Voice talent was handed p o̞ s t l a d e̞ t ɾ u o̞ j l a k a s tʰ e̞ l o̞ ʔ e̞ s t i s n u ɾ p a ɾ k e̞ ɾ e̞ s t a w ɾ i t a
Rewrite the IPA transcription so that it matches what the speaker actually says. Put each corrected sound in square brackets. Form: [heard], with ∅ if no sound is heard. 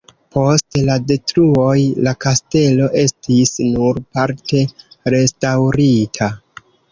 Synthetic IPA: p o̞ s t l a d e̞ t ɾ u o̞ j l a k a s [t] e̞ l o̞ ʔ e̞ s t i s n u ɾ p a ɾ [t] e̞ ɾ e̞ s t a w ɾ i [tʰ] a